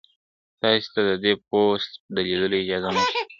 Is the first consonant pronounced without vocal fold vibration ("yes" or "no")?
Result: yes